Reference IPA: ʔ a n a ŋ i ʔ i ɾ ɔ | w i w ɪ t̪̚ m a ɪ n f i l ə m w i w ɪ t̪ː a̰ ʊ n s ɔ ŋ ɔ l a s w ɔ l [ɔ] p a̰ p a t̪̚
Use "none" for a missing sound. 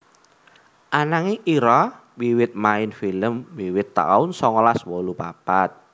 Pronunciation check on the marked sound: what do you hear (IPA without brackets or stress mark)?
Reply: u